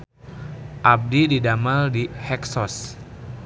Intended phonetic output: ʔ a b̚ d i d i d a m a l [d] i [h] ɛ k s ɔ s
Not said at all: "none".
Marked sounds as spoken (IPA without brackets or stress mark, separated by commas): d, h